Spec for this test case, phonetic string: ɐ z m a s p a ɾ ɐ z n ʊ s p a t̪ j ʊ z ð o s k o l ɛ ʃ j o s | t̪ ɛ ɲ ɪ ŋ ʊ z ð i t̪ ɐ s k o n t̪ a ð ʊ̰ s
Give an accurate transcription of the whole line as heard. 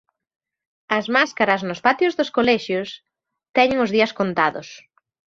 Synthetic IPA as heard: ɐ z m a s k a ɾ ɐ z n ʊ s p a t̪ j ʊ z ð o s k o l ɛ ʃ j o s | t̪ ɛ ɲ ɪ ŋ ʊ z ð i ɐ s k o n t̪ a ð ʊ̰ s